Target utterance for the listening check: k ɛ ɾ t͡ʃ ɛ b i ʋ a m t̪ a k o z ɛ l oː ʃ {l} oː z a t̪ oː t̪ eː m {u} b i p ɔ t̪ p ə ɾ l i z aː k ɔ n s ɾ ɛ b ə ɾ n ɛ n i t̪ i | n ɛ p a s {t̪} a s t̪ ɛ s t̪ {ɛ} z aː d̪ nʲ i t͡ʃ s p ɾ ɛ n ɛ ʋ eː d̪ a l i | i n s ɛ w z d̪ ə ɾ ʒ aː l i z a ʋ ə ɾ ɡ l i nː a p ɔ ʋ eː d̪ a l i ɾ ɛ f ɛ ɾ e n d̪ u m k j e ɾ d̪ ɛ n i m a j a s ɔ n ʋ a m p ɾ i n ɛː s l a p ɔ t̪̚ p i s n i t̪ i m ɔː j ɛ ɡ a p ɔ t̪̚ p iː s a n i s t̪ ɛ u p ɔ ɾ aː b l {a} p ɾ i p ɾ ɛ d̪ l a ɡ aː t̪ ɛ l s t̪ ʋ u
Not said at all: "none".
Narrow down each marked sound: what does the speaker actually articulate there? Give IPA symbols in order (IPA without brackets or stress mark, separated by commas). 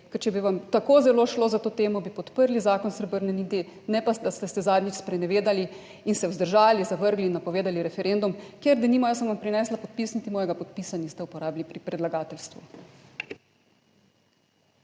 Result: l, ɔ, d̪, ɛ, i